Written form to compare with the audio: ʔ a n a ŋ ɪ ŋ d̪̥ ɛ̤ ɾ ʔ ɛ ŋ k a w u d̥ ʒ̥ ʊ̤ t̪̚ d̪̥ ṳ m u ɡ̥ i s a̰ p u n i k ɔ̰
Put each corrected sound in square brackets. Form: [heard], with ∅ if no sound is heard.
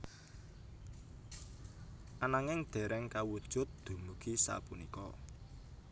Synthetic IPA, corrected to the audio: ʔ a n a ŋ ɪ ŋ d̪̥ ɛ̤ ɾ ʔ ɛ ŋ k a w u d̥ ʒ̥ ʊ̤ t̪̚ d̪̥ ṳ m u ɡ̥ i s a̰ p u n i k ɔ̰